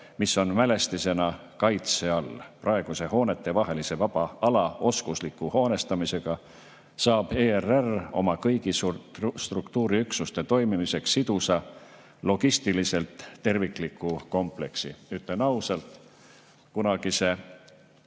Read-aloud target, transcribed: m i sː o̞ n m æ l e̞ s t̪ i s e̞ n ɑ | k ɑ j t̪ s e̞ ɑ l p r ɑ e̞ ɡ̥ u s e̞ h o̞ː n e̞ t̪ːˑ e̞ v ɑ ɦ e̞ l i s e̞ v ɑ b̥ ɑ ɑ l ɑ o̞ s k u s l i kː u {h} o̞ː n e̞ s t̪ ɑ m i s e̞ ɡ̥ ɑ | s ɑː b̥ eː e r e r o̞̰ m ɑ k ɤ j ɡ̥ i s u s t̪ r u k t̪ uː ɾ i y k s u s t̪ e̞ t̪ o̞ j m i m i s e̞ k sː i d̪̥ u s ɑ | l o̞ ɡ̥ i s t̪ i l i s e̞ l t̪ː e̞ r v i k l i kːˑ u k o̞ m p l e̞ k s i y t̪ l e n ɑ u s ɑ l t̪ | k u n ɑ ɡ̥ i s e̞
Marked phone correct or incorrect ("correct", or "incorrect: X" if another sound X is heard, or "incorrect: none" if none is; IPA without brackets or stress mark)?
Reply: correct